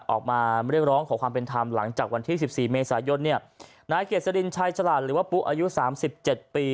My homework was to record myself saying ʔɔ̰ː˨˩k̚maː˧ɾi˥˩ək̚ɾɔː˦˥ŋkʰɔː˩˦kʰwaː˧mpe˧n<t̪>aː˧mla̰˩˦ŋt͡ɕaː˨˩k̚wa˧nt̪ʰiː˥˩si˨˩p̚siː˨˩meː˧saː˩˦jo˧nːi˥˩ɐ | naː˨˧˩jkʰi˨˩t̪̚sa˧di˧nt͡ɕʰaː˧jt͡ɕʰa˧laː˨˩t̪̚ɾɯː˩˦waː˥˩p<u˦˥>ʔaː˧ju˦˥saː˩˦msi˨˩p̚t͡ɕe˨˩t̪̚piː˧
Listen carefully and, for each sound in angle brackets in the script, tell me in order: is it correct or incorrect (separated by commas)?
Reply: incorrect, correct